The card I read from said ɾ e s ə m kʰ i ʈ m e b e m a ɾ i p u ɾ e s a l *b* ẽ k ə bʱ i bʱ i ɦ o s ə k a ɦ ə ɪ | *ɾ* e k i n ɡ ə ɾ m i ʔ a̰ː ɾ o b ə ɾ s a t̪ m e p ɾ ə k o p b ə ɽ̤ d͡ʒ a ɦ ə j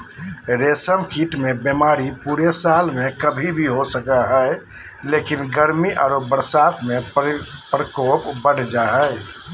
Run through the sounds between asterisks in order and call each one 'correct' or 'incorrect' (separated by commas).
incorrect, incorrect